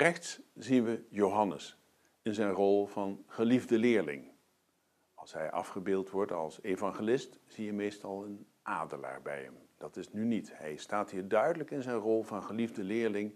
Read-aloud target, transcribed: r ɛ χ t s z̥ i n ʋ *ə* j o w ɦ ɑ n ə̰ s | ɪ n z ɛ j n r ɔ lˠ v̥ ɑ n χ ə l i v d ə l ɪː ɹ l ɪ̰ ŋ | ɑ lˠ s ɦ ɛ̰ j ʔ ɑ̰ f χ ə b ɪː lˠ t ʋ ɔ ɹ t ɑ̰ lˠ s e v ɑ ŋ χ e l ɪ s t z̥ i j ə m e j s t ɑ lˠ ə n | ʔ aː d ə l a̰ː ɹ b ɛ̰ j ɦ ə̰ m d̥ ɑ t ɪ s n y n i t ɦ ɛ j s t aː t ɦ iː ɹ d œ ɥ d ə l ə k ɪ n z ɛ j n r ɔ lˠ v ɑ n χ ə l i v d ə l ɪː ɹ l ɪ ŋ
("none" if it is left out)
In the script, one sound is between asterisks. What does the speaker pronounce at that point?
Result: ə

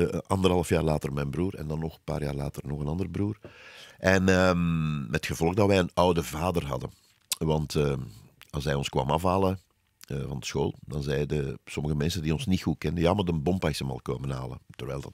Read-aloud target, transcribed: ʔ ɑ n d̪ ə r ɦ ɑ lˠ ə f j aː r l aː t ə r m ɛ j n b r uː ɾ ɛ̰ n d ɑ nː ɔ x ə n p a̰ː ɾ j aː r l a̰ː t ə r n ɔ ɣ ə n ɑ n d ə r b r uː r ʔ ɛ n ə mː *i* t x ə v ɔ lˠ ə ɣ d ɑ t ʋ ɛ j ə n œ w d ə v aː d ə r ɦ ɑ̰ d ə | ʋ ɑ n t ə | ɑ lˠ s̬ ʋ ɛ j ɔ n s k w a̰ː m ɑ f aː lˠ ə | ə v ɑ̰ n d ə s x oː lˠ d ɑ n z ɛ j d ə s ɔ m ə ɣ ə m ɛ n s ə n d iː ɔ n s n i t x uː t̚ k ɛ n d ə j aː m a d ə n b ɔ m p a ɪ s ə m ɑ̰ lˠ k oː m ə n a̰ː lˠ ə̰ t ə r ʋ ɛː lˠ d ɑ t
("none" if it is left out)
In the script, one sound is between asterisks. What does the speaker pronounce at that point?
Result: ɛ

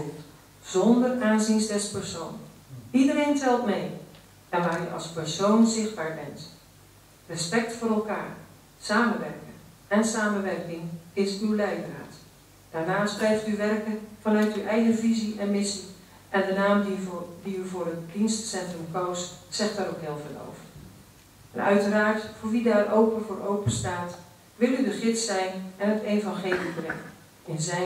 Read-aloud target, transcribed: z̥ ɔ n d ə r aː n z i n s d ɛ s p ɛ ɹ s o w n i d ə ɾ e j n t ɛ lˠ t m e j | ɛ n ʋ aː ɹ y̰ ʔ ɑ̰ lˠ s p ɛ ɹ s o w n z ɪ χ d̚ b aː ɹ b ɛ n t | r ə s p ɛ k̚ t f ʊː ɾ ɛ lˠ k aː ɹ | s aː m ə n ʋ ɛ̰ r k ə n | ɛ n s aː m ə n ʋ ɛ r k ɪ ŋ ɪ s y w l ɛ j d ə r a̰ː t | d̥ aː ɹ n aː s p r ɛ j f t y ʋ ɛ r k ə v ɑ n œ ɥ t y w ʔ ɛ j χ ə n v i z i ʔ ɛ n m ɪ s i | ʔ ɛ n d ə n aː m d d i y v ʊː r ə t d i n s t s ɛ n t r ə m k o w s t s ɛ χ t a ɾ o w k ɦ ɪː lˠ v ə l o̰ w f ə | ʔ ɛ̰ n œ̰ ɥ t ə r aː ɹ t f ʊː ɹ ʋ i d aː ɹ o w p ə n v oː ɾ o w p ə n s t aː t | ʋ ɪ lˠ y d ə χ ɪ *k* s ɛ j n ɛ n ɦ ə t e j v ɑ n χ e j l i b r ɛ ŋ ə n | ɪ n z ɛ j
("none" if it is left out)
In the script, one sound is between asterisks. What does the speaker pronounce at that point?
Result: t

